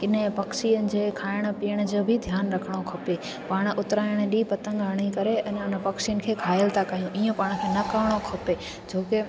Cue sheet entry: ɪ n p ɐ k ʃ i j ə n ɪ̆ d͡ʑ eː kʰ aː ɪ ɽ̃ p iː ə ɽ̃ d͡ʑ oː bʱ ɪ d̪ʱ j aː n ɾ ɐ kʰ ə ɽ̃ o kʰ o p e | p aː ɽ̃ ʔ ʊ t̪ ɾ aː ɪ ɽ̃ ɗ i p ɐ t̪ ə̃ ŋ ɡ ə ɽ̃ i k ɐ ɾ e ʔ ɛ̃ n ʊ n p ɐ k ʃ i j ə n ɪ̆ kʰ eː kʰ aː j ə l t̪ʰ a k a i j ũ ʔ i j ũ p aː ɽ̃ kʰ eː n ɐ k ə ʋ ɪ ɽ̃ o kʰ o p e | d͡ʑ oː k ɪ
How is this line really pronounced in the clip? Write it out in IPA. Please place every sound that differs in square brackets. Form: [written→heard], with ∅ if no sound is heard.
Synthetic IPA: ɪ n p ɐ k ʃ i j ə n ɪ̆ d͡ʑ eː kʰ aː ɪ ɽ̃ p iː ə ɽ̃ d͡ʑ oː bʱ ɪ d̪ʱ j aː n ɾ ɐ kʰ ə ɽ̃ o kʰ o p e | p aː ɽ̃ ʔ ʊ t̪ ɾ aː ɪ ɽ̃ ɗ i p ɐ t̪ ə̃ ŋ ɡ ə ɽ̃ i k ɐ ɾ e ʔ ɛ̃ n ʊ n p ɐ k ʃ i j ə n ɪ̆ kʰ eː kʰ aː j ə l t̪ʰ a k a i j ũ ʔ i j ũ p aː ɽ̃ kʰ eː n ɐ k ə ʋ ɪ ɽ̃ o kʰ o p e | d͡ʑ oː k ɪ